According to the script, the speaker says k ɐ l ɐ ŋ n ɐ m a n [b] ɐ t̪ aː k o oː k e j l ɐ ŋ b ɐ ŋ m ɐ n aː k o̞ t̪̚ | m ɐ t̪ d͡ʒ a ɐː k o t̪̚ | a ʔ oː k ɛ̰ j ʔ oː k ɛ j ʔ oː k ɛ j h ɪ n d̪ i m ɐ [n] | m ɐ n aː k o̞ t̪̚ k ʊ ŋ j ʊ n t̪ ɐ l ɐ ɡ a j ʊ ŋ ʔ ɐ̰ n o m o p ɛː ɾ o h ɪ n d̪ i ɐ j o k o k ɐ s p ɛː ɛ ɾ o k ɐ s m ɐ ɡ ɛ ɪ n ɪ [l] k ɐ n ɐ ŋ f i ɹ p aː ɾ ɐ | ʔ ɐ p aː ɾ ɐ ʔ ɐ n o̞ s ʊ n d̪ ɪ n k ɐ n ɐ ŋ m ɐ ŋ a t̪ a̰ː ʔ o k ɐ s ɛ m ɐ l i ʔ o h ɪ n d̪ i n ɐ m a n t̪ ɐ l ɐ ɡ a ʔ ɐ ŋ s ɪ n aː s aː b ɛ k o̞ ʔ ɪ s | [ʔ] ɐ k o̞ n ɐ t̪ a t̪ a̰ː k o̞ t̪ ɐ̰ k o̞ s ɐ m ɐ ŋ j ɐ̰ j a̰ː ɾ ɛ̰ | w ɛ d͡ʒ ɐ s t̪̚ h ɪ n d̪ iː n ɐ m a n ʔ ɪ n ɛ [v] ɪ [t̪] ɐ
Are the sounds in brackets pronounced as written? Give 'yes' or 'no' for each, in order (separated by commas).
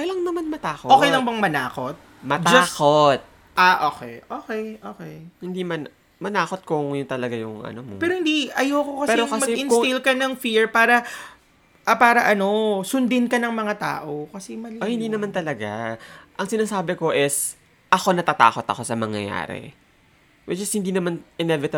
no, yes, yes, yes, yes, yes